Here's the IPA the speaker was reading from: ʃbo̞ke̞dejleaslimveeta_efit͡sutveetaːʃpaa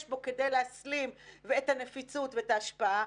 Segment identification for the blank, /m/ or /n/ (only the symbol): n